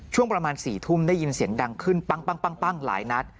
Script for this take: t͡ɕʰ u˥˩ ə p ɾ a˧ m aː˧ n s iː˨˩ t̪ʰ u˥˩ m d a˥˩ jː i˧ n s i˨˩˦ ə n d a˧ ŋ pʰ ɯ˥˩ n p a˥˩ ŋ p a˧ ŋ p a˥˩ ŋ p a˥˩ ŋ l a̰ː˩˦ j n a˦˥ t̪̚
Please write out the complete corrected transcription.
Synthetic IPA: t͡ɕʰ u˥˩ ə p ɾ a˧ m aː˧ n s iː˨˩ t̪ʰ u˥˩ m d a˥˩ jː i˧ n s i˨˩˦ ə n d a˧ ŋ kʰ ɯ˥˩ n p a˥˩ ŋ p a˥˩ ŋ p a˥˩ ŋ p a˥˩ ŋ l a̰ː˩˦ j n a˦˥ t̪̚